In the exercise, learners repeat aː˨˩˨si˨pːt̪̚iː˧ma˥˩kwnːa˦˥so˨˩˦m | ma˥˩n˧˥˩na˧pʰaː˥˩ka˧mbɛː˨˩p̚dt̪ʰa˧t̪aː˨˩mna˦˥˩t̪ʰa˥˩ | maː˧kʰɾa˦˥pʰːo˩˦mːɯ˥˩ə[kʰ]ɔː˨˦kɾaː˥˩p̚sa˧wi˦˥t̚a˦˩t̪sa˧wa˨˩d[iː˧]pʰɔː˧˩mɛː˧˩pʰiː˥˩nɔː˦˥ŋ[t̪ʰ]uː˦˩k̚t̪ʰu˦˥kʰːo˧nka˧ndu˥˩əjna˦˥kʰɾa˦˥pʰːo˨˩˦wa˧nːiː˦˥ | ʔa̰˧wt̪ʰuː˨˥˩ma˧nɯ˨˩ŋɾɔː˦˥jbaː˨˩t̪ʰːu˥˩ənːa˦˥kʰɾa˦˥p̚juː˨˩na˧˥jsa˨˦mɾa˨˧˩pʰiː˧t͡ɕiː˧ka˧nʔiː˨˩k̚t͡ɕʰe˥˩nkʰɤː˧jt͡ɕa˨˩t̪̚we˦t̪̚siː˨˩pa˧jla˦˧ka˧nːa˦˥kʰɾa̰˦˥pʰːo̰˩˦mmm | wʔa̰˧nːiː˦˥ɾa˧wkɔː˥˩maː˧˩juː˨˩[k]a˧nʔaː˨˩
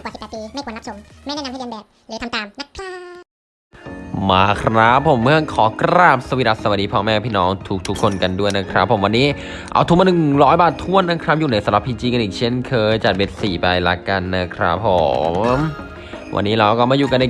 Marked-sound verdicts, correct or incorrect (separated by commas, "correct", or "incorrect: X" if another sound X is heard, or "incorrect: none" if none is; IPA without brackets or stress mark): correct, correct, correct, correct